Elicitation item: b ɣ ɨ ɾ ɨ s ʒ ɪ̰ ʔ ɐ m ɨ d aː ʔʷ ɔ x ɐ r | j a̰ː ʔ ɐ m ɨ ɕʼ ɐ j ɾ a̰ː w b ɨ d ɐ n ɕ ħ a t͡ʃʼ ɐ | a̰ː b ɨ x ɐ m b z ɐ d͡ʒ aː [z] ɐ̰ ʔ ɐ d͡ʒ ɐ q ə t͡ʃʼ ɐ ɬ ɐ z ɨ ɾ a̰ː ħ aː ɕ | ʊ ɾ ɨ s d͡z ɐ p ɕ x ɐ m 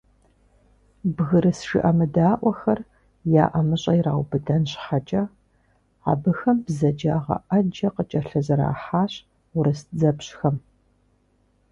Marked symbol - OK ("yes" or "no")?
no